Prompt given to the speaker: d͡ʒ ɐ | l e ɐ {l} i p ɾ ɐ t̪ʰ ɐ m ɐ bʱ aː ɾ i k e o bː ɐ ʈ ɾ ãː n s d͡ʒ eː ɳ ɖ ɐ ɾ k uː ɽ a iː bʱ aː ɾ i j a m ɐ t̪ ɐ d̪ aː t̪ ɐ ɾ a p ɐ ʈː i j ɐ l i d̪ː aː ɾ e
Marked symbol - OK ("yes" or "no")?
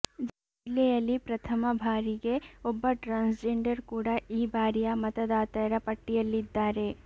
yes